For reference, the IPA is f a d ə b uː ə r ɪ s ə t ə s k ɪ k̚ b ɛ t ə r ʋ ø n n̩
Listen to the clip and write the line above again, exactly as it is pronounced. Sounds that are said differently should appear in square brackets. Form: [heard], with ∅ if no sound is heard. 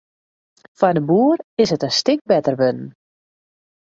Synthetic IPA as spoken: f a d ə b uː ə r ɪ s ə t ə s [t] ɪ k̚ b ɛ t ə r ʋ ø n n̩

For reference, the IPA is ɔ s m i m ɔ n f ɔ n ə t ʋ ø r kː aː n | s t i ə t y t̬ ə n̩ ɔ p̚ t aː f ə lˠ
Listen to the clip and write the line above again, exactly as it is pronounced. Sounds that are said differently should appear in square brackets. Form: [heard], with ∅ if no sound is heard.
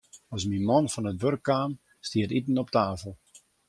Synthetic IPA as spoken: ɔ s m i m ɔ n f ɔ n ə t ʋ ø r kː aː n | s t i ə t [i] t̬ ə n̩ ɔ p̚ t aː f ə lˠ

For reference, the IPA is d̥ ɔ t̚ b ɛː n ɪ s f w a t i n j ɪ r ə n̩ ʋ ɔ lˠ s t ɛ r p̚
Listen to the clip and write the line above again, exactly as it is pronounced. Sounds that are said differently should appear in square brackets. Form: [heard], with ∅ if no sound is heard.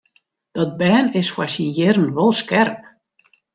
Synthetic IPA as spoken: d̥ ɔ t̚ b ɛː n ɪ s f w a [s] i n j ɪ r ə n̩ ʋ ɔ lˠ s [k] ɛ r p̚

